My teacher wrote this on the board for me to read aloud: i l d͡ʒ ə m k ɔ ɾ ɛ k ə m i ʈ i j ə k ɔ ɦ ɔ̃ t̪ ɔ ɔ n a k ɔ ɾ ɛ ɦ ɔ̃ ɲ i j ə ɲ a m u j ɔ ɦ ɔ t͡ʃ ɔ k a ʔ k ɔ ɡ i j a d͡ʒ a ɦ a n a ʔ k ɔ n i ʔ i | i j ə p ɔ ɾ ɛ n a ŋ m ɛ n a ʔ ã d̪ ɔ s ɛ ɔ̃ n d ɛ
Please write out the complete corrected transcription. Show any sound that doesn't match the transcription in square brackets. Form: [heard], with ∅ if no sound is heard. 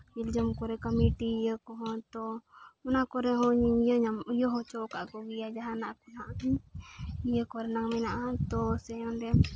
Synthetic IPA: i l d͡ʒ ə m k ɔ ɾ ɛ k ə m i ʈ i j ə k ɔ ɦ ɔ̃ t̪ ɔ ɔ n a k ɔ ɾ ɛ ɦ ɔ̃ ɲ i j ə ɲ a m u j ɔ ɦ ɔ t͡ʃ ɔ k a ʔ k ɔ ɡ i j a d͡ʒ a ɦ a n a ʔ k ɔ n [a] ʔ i | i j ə [k] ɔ ɾ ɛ n a ŋ m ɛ n a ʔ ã [t̪] ɔ s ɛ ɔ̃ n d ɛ